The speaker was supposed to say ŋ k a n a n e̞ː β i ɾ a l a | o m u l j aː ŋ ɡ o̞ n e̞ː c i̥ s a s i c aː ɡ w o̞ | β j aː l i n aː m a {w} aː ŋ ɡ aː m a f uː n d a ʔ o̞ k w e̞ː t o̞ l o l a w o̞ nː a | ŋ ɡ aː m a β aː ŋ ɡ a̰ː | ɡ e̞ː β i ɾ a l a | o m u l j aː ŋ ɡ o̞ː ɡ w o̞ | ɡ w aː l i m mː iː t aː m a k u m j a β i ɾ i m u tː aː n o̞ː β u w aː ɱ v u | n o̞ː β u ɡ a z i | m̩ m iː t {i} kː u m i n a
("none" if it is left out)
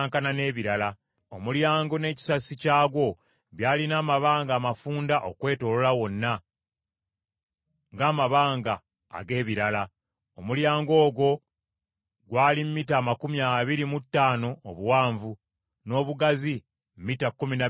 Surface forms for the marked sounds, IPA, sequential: β, a

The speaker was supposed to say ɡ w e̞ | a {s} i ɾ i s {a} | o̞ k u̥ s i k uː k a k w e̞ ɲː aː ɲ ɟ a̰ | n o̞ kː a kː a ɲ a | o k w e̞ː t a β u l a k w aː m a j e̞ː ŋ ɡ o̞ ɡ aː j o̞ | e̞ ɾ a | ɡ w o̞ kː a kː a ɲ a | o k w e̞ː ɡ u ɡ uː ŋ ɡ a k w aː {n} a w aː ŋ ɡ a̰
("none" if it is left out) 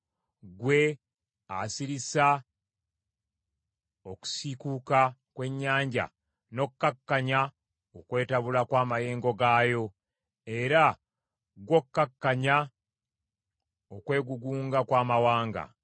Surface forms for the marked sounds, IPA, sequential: s, a, m

